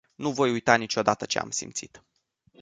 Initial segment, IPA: n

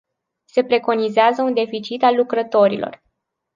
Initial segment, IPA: s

